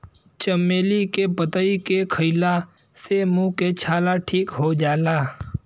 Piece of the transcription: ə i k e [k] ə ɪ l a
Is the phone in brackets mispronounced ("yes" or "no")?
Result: yes